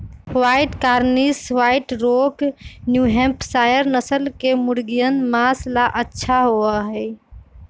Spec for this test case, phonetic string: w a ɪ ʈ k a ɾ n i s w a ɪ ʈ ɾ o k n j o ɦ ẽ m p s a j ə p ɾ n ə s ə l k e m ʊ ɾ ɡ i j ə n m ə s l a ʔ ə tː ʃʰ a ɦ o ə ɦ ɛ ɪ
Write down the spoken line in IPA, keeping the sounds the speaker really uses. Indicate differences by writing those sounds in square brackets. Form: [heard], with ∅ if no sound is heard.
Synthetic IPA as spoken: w a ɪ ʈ k a ɾ n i s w a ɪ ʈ ɾ o k n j [u] ɦ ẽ m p s a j ə [∅] ɾ n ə s ə l k e m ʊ ɾ ɡ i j ə n m [a] s l a ʔ ə tː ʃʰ a ɦ o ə ɦ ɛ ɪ